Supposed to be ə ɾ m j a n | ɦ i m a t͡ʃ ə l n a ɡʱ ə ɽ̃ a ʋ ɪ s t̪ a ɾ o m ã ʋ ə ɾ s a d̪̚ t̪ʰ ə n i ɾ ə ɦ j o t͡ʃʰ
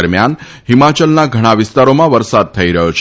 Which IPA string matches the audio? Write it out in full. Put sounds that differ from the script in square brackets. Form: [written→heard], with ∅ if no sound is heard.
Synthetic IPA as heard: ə ɾ m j a n | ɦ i m a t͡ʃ ə l n a ɡʱ ə ɽ̃ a ʋ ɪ s t̪ a ɾ o m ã ʋ ə ɾ s a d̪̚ t̪ʰ ə [n→∅] i ɾ ə ɦ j o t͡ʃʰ